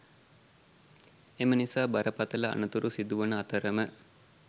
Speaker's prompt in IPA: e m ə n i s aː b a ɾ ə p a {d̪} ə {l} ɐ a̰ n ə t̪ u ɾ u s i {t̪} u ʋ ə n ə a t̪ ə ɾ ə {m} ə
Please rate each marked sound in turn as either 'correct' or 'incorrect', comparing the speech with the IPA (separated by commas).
incorrect, correct, incorrect, correct